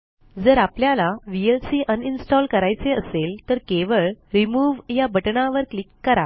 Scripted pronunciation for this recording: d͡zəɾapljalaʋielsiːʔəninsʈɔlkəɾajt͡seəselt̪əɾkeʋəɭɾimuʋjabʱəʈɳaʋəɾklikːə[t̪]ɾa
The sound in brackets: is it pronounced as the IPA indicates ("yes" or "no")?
no